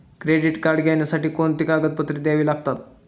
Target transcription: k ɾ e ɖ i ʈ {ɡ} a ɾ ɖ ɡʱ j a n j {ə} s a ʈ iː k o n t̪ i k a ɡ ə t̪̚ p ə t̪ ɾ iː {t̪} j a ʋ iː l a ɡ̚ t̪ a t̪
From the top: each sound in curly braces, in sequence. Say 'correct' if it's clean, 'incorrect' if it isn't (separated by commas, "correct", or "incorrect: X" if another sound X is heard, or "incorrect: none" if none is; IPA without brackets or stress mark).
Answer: incorrect: k, incorrect: a, incorrect: d̪